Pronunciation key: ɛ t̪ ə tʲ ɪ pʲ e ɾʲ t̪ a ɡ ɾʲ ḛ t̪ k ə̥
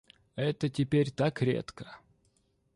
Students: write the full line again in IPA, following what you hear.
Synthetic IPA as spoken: ɛ t̪ ə tʲ ɪ pʲ e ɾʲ t̪ a k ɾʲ ḛ t̪ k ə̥